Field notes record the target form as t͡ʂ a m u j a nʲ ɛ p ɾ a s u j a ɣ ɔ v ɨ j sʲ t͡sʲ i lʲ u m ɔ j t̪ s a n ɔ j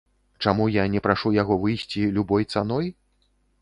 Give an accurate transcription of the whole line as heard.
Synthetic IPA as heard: t͡ʂ a m u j a nʲ ɛ p ɾ a ʂ u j a ɣ ɔ v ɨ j sʲ t͡sʲ i lʲ u b ɔ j t̪ s a n ɔ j